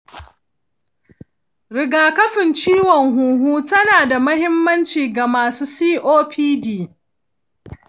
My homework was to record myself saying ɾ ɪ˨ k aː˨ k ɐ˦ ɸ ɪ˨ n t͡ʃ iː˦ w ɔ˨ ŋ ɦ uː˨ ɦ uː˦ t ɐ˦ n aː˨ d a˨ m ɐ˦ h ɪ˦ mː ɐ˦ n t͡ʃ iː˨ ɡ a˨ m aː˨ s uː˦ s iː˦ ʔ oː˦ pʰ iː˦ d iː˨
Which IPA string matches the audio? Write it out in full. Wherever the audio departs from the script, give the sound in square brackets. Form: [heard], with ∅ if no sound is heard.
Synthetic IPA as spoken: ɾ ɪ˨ [ɡ] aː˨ k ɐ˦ ɸ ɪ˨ n t͡ʃ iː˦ w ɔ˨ ŋ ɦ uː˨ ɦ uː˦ t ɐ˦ n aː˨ d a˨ m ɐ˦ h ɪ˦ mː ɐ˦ n t͡ʃ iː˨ ɡ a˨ m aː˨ s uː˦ s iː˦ ʔ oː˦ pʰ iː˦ d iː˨